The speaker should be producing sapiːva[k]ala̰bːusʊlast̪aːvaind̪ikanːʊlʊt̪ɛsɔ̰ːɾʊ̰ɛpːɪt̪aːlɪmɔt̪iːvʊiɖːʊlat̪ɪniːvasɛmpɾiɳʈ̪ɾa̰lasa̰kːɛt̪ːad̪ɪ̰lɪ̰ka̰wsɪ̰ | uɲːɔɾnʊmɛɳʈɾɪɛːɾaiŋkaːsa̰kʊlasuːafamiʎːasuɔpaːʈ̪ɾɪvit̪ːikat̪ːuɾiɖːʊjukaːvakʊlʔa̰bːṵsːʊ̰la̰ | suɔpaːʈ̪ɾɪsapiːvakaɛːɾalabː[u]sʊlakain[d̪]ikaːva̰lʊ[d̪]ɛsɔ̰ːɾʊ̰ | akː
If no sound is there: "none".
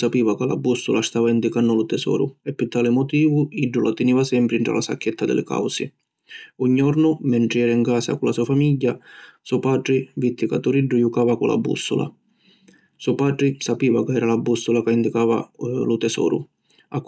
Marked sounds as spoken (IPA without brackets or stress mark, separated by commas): k, u, d̪, t̪